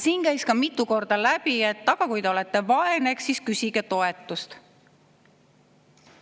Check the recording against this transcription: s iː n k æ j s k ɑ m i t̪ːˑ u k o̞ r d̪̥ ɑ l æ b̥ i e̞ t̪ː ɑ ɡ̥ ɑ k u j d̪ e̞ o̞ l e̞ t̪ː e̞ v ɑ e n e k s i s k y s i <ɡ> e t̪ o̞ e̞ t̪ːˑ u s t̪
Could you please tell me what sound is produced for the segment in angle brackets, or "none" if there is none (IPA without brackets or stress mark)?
ɡ